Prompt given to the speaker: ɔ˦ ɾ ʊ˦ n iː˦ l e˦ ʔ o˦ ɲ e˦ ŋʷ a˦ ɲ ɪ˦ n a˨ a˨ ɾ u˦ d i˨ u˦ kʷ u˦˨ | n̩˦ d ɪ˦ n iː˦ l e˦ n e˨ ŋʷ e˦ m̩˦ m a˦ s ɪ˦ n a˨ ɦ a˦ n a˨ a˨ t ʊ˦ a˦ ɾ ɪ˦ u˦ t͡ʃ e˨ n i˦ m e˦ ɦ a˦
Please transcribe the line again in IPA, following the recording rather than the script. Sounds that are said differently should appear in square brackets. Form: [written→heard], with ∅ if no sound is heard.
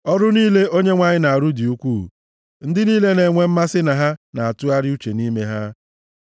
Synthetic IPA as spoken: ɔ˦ ɾ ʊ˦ n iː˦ l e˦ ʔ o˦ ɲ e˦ ŋʷ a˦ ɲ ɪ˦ n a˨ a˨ ɾ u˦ d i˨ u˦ kʷ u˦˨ | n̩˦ d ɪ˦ n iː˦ l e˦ n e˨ ŋʷ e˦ m̩˦ m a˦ s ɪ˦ n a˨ ɦ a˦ n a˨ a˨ t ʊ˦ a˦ ɾ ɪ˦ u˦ t͡ʃ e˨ n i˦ m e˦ ɦ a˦